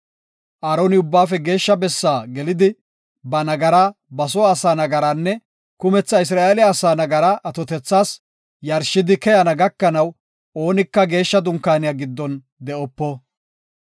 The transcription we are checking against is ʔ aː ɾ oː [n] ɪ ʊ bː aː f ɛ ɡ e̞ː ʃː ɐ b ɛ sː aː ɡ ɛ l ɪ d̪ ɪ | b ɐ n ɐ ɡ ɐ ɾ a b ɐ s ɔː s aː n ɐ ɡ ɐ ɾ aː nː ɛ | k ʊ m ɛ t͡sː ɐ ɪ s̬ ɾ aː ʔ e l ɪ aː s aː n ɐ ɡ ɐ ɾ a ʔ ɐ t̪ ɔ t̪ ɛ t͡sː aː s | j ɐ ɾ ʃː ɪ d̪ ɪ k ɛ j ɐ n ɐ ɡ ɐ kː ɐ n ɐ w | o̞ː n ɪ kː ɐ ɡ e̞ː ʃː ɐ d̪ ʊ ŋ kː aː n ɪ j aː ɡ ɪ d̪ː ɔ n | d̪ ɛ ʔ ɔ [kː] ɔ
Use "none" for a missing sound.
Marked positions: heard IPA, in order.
n, pː

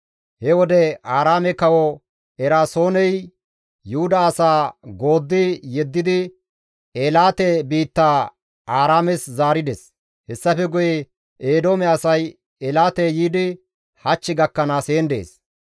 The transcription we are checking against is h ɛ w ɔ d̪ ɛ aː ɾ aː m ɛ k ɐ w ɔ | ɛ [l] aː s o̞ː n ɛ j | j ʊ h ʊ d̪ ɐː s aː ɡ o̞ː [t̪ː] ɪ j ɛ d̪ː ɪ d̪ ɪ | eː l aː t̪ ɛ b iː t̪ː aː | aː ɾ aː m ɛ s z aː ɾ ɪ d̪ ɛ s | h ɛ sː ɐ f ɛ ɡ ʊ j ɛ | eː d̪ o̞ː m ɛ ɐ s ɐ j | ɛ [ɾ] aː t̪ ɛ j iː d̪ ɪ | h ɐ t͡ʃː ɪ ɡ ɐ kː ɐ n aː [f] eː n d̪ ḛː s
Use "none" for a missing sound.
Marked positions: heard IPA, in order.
ɾ, d̪ː, l, s

